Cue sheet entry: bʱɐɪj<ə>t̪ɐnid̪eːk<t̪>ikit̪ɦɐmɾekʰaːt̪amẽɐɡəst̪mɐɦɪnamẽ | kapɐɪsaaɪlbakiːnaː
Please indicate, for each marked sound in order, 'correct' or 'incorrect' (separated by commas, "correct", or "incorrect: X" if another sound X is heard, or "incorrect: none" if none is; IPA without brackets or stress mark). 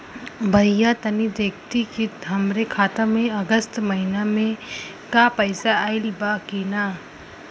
incorrect: a, correct